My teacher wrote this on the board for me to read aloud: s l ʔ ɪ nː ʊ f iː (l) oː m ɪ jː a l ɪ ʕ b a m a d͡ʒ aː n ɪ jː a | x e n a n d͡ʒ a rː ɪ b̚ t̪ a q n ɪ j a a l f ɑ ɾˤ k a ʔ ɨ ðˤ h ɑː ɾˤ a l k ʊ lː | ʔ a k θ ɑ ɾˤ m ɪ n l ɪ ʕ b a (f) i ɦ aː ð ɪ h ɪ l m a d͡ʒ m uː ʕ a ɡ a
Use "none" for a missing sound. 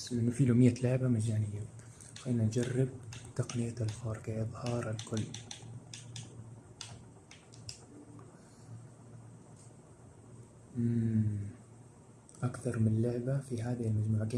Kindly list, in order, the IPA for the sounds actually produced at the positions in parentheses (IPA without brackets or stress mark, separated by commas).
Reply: l, f